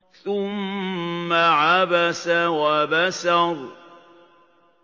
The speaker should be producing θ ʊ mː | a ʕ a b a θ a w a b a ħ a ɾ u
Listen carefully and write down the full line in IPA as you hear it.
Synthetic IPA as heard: θ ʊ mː | a ʕ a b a s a w a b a s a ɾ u